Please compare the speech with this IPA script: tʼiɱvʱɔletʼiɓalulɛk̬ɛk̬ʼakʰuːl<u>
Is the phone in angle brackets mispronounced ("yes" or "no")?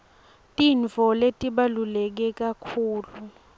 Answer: no